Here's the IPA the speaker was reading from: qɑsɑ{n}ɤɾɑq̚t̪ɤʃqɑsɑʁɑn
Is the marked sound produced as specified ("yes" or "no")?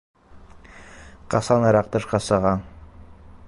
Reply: yes